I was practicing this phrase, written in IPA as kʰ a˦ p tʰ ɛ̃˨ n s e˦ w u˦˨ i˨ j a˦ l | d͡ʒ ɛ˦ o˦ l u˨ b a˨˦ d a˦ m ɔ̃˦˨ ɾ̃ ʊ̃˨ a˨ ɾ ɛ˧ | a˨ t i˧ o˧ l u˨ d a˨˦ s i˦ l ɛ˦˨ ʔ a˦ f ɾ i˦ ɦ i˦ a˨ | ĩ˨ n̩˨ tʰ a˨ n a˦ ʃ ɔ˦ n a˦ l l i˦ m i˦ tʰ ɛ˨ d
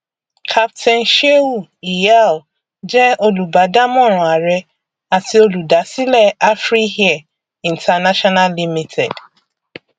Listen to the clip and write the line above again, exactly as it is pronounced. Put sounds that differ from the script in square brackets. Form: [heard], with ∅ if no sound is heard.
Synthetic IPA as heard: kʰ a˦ p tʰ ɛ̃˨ n [ʃ] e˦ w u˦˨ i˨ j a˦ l | d͡ʒ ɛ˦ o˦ l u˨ b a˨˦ d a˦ m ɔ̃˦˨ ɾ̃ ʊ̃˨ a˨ ɾ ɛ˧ | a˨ t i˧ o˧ l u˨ d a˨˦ s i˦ l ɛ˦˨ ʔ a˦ f ɾ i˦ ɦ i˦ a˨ | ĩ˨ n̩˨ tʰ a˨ n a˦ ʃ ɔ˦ n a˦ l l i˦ m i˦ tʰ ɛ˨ d

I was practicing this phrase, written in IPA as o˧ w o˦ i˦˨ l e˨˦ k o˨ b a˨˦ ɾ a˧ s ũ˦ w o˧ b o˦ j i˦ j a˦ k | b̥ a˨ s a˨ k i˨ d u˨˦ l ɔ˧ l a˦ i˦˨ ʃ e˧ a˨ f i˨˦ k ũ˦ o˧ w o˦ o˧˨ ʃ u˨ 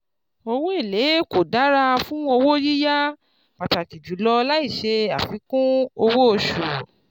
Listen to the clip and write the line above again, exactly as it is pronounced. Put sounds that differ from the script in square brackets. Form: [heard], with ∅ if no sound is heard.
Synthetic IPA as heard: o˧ w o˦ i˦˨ l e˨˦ k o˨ [d] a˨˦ ɾ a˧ [f] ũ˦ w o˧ [w] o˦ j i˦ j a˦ [∅] | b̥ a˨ [t] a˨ k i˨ [d͡ʒ] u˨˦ l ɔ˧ l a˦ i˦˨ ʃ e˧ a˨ f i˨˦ k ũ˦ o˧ w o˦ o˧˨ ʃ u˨

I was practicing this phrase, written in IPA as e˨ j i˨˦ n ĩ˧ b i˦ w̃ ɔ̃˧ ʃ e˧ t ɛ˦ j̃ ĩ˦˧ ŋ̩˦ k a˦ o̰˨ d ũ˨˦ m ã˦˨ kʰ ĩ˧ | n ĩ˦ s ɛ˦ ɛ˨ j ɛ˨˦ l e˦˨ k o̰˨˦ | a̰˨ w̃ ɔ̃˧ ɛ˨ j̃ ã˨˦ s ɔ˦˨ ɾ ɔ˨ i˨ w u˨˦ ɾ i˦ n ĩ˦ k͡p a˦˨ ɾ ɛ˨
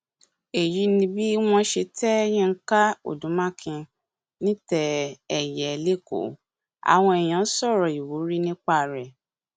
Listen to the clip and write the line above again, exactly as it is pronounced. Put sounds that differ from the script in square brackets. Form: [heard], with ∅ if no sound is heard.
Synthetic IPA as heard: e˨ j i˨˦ n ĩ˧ b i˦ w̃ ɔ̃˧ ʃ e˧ t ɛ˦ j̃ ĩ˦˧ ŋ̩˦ k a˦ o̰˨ d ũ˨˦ m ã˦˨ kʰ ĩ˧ | n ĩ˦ [t] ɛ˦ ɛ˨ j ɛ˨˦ l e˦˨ k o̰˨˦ | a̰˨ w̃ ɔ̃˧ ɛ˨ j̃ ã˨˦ s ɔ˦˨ ɾ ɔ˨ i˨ w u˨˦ ɾ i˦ n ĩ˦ k͡p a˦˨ ɾ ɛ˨

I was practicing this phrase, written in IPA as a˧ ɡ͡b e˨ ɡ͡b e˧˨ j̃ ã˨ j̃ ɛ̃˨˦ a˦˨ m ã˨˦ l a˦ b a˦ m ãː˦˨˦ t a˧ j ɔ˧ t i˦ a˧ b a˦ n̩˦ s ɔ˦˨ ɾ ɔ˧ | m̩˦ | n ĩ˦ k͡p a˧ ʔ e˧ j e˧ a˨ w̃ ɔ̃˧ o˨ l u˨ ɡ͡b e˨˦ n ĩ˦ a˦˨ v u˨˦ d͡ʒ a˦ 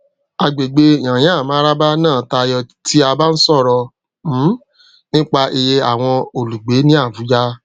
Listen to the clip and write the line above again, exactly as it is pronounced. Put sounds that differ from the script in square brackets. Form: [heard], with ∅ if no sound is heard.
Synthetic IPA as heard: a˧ ɡ͡b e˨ ɡ͡b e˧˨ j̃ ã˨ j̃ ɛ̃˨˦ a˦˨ m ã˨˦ [ɾ] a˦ b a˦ [n] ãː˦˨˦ t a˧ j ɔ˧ t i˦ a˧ b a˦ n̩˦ s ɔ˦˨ ɾ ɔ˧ | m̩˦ | n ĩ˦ k͡p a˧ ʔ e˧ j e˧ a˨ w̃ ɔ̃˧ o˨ l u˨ ɡ͡b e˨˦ n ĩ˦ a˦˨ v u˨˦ d͡ʒ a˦

